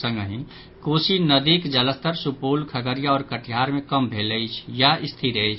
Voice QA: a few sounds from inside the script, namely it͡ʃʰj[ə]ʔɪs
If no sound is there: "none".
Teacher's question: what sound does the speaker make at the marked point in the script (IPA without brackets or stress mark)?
a